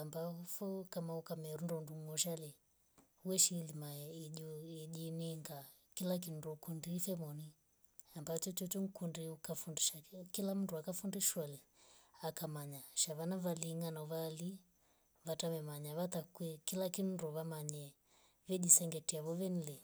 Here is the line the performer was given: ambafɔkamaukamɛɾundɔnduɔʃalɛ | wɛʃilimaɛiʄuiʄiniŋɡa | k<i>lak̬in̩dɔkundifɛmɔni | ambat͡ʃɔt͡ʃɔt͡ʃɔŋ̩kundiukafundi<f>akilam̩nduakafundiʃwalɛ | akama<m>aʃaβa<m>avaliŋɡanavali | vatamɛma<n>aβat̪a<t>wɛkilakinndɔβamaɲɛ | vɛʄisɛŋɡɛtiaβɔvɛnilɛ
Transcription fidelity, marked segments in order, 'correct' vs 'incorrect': correct, incorrect: ʃ, incorrect: ɲ, incorrect: n, incorrect: ɲ, incorrect: k

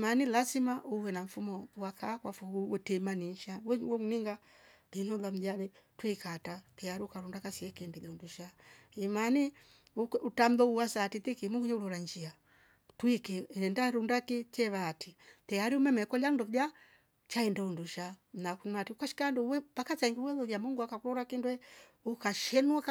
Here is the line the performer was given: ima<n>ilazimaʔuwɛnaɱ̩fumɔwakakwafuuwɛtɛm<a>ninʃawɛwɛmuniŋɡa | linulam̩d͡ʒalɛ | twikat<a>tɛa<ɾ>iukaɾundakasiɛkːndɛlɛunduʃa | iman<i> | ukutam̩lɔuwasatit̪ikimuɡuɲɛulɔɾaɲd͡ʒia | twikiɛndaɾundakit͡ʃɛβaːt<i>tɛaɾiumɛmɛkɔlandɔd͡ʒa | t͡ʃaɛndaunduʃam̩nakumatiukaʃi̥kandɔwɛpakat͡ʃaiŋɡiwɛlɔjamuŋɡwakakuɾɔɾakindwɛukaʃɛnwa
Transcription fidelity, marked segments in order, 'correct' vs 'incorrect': correct, correct, correct, correct, correct, correct

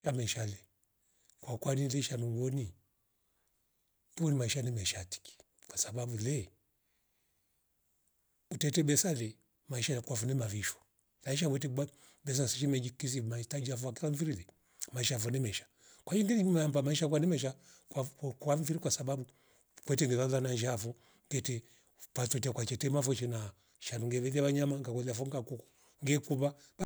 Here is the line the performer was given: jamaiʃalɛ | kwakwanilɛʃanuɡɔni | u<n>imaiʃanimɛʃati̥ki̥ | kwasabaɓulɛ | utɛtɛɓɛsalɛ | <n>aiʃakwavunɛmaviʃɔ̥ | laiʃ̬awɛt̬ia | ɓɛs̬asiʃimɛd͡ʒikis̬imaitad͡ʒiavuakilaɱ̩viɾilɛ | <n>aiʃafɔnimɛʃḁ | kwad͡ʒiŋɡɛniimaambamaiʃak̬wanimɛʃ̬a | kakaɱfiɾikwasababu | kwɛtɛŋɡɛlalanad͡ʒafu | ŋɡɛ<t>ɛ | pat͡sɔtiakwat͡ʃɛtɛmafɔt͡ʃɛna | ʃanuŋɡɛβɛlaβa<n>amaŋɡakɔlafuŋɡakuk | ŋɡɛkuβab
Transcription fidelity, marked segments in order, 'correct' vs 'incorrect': correct, incorrect: m, incorrect: m, correct, incorrect: ɲ

